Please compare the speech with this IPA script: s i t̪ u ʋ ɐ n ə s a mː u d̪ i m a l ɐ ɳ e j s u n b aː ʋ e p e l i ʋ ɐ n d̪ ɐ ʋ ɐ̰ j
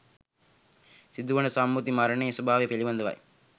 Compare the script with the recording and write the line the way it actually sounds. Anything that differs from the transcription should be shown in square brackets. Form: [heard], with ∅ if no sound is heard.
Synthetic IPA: s i [d̪] u ʋ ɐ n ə s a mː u [t̪] i m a [ɾ] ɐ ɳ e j s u [∅] b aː ʋ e p e l i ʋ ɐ n d̪ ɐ ʋ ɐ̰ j